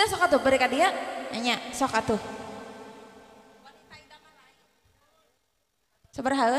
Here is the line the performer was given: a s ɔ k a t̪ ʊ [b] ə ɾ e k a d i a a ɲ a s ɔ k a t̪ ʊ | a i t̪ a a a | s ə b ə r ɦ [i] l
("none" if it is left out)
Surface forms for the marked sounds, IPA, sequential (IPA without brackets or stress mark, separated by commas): b, a